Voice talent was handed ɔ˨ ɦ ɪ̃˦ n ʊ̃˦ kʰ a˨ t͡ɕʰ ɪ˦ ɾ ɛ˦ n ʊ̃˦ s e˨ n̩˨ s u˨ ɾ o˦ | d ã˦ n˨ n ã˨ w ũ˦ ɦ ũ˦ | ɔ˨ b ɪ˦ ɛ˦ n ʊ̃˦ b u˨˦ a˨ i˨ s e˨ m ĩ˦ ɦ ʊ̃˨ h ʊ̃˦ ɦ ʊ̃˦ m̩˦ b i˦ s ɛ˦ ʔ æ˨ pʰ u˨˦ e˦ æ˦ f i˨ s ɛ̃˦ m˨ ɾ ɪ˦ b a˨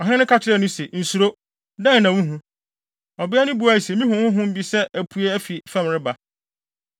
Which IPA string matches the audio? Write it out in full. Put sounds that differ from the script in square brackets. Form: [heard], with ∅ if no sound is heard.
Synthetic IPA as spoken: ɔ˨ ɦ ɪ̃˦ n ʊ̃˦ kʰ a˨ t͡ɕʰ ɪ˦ ɾ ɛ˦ n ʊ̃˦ s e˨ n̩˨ s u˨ ɾ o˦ | d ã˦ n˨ n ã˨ w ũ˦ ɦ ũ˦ | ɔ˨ b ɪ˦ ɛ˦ n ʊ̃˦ b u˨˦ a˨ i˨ s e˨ m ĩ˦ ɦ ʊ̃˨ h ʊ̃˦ ɦ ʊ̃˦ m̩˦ b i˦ s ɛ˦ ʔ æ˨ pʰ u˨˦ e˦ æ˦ f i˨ [f] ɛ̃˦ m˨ ɾ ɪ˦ b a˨